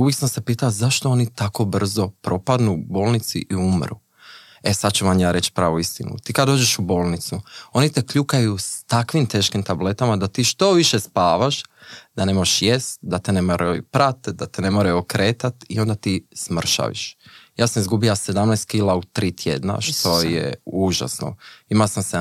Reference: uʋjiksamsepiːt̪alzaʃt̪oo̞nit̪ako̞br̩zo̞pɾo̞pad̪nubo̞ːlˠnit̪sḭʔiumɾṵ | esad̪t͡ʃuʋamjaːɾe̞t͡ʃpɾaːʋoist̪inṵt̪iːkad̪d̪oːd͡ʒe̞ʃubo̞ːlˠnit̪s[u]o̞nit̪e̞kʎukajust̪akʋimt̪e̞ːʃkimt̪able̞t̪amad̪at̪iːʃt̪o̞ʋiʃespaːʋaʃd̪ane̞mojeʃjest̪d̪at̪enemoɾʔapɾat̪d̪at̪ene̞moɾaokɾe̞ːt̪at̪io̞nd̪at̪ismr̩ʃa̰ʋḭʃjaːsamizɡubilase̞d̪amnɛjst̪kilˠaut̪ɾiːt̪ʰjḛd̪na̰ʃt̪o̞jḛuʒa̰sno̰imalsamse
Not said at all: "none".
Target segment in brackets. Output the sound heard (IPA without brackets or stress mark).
u